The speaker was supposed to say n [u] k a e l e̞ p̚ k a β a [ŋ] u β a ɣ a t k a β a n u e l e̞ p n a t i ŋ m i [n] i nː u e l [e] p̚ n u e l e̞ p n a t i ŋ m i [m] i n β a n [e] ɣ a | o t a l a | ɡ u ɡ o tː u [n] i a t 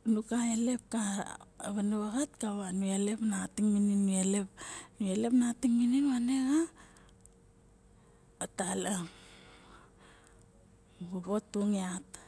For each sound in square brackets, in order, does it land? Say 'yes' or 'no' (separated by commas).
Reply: yes, no, yes, yes, no, yes, no